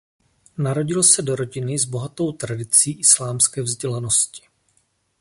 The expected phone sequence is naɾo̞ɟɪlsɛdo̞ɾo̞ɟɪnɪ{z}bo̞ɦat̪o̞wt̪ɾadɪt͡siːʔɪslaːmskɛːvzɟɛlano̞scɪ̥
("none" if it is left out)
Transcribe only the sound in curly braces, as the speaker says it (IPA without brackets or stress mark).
z